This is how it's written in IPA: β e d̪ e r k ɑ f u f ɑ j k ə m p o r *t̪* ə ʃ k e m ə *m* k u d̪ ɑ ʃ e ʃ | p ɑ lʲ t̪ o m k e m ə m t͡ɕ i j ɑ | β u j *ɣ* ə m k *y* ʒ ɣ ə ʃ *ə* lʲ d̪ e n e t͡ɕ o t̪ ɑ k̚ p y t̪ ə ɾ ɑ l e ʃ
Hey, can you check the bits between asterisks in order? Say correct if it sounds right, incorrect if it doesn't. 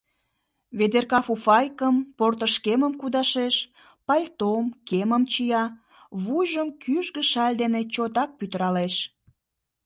correct, correct, incorrect: ʒ, correct, incorrect: ɑ

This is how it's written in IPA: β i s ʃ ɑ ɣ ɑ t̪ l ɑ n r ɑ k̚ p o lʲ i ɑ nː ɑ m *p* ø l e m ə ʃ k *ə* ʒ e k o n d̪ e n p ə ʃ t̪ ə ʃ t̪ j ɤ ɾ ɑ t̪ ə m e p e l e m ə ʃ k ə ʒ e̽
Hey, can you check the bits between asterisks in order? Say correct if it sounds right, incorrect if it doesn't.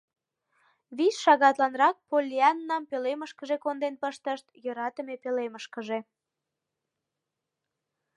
correct, correct

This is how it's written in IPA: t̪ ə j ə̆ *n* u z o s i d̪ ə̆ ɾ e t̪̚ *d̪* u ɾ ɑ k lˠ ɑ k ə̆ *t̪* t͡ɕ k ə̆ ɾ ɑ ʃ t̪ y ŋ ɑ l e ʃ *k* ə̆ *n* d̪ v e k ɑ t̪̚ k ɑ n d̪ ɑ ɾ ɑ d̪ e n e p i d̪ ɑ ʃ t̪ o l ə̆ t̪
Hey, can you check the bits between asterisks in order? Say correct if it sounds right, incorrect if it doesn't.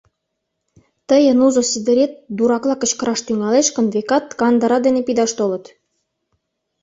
correct, correct, incorrect: none, correct, correct

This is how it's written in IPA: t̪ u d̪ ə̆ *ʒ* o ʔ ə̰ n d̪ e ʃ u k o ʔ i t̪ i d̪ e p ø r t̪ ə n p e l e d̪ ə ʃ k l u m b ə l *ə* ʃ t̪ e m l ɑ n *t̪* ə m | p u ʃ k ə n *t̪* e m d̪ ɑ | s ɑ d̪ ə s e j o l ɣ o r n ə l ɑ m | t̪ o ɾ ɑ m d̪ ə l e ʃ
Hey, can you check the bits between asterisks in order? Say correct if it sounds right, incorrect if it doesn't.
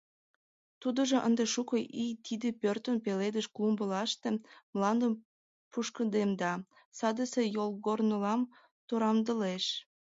correct, incorrect: ɑ, incorrect: d̪, incorrect: d̪

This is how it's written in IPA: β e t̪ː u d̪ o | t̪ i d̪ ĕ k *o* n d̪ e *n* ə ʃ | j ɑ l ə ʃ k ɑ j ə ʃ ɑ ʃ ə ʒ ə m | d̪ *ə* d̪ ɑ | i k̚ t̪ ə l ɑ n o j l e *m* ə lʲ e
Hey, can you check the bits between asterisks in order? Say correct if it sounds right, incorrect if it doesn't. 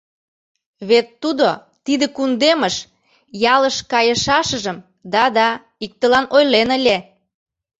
incorrect: u, incorrect: m, incorrect: ɑ, incorrect: n

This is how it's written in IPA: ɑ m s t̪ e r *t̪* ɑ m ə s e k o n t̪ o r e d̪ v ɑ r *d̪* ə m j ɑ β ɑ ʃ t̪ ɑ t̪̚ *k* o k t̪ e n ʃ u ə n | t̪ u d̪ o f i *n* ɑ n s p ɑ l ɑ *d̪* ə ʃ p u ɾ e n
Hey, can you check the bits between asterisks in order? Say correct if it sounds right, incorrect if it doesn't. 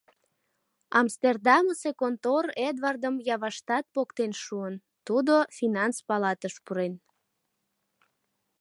incorrect: d̪, correct, incorrect: p, correct, incorrect: t̪

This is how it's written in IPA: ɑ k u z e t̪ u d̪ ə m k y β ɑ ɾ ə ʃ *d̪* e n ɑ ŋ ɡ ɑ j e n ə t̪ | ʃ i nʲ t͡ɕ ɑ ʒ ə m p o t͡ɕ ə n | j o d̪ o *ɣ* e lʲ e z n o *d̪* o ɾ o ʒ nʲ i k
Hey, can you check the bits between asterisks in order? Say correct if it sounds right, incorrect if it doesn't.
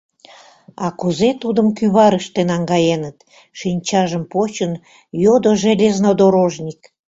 incorrect: t̪, incorrect: ʒ, correct

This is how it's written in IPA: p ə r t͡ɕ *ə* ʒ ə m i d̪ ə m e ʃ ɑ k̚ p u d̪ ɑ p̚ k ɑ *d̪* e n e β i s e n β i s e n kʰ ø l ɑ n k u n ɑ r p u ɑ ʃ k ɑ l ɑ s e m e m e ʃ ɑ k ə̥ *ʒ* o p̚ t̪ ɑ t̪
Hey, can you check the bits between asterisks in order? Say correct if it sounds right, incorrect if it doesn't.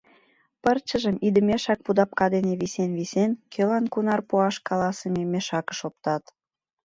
correct, correct, incorrect: ʃ

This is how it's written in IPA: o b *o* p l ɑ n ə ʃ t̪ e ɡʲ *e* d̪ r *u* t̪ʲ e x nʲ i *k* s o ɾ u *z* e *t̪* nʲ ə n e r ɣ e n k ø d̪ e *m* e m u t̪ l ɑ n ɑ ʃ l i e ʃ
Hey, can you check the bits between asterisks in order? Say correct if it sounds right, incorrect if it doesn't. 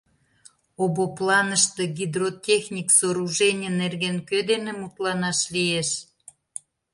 correct, incorrect: i, incorrect: o, correct, incorrect: ʒ, incorrect: none, incorrect: n

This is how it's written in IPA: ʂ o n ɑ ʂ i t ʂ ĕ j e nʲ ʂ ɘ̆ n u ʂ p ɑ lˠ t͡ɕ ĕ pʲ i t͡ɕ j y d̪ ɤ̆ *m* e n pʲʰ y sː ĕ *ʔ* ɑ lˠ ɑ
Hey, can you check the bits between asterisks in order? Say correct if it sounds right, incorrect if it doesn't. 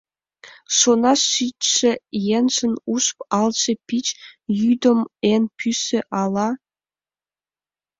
correct, correct

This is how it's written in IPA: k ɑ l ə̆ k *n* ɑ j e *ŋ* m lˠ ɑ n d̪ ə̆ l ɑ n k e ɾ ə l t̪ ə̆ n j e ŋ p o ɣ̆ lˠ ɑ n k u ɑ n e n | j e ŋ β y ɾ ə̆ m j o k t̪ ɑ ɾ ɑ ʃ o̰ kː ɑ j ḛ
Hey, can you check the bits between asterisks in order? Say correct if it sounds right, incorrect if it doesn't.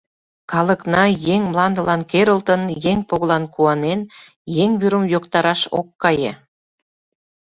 correct, correct

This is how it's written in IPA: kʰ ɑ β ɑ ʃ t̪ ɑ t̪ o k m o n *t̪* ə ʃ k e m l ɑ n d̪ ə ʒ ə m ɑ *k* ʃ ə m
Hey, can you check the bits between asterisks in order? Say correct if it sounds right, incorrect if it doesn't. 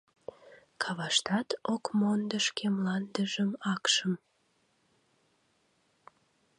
incorrect: d̪, correct

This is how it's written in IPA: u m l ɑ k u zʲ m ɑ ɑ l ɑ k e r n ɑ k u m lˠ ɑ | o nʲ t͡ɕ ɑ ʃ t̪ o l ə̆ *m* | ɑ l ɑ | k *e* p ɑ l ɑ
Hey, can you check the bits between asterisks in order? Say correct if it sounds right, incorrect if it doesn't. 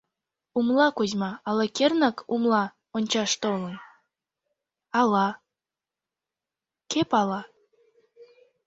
incorrect: n, correct

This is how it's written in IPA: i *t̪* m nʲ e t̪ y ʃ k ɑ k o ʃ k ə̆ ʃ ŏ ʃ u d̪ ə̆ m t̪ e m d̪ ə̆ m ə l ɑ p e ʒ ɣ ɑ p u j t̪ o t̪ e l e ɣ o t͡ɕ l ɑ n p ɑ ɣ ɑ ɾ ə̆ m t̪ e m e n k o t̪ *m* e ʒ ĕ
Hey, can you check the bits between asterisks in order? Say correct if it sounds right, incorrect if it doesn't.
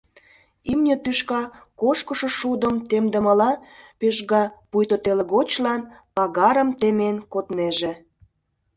incorrect: none, incorrect: n

